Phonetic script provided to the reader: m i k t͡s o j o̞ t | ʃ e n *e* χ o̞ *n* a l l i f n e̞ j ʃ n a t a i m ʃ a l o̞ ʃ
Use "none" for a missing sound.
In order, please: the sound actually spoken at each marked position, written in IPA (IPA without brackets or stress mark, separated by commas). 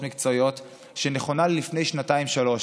e, n